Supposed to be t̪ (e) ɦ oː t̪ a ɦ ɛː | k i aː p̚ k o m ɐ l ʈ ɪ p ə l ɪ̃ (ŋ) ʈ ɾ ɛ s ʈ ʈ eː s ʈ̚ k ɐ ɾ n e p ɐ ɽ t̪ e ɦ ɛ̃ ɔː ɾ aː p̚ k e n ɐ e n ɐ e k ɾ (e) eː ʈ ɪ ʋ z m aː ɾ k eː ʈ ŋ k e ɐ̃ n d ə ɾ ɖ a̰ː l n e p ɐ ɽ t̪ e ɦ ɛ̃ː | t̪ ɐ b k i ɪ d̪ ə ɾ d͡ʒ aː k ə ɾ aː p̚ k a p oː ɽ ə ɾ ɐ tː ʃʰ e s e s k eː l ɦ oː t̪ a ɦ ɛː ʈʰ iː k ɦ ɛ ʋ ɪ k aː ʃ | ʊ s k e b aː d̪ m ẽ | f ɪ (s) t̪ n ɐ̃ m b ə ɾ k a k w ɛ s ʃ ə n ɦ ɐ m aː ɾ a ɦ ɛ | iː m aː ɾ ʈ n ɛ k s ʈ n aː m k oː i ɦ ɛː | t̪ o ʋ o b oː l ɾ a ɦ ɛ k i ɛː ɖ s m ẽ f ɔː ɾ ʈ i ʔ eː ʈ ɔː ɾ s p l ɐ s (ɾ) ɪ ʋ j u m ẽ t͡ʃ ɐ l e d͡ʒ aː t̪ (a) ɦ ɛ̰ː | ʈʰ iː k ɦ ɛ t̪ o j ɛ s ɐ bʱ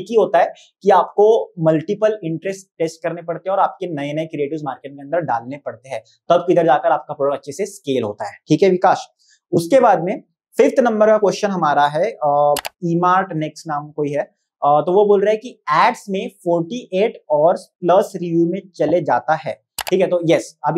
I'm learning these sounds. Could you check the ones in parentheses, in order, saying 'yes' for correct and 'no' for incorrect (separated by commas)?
no, no, no, no, yes, yes